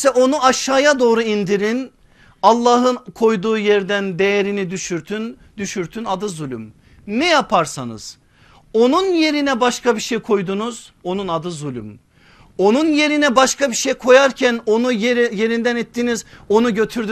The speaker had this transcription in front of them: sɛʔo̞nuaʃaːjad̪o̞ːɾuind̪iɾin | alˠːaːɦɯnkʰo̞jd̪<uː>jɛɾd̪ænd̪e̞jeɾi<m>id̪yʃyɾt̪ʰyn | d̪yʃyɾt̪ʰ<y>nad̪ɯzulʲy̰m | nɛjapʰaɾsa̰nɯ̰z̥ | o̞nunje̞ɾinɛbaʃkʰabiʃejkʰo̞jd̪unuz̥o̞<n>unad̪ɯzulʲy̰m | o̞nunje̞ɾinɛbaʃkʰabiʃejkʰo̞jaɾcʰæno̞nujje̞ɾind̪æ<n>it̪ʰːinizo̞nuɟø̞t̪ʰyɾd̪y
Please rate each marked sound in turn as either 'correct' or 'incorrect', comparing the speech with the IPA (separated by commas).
correct, incorrect, correct, correct, correct